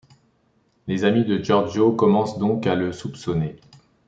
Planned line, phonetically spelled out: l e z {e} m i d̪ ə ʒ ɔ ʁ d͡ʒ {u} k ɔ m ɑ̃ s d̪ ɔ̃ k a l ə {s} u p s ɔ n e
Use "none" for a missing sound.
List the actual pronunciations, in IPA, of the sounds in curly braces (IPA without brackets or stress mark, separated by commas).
a, o, s